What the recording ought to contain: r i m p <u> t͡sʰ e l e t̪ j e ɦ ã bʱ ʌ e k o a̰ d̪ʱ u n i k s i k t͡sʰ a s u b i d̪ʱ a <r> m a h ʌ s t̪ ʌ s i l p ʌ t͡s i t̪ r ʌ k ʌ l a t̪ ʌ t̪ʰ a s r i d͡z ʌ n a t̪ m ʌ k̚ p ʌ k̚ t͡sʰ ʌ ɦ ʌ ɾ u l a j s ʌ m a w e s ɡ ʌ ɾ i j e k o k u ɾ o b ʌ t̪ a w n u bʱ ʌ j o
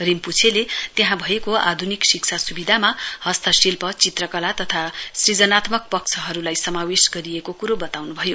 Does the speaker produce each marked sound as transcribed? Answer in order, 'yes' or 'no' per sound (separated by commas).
yes, no